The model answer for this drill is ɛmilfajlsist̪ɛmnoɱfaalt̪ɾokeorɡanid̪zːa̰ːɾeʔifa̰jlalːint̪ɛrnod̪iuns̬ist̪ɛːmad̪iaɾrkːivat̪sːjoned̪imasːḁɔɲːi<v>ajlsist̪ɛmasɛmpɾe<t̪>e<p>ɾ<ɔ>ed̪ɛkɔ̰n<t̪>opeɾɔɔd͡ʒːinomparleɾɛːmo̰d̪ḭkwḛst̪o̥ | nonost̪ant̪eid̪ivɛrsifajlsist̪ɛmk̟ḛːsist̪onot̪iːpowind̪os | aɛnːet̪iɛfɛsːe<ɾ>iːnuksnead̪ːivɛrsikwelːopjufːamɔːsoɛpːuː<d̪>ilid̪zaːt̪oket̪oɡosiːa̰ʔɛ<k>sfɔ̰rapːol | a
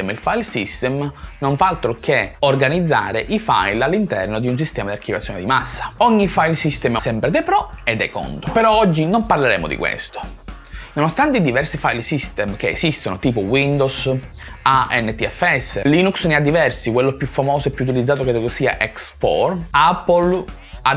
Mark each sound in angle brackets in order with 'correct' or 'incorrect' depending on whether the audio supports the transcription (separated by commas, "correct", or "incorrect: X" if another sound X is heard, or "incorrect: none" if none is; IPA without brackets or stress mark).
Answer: incorrect: f, incorrect: d̪, correct, correct, correct, incorrect: l, incorrect: t̪, correct